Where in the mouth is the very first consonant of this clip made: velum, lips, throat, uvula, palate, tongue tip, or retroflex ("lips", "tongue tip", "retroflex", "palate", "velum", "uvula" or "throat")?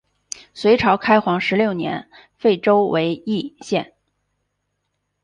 tongue tip